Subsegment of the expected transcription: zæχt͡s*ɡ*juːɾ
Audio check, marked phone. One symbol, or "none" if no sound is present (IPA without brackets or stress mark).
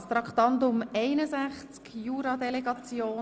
k